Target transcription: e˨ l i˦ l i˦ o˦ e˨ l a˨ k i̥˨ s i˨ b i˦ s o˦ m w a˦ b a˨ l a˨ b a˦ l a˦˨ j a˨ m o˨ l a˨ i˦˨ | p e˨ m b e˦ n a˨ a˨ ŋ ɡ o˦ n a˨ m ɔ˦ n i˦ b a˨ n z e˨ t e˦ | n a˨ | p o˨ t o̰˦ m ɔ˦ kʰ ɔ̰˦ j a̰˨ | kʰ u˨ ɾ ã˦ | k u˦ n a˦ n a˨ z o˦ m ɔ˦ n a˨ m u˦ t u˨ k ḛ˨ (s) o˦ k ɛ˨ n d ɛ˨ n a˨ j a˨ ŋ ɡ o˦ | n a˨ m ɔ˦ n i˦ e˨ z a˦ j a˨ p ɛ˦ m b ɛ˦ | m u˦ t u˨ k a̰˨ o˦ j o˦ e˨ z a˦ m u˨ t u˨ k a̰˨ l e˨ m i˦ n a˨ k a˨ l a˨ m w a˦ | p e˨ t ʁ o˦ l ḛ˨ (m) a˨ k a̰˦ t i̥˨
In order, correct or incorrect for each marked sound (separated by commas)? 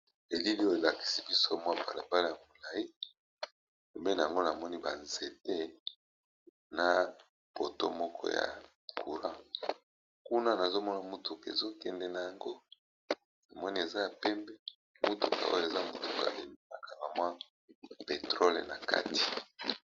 incorrect, incorrect